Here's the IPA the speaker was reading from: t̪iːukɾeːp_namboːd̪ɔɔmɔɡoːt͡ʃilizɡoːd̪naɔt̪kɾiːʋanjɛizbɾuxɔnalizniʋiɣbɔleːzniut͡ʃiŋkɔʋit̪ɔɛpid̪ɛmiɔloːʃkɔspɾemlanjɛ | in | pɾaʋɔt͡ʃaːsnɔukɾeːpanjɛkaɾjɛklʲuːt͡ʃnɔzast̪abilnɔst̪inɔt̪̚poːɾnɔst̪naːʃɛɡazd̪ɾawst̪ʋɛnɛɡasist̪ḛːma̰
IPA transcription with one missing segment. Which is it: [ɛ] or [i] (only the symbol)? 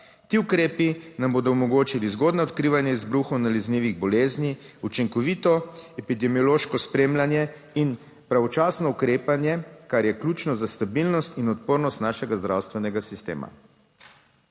i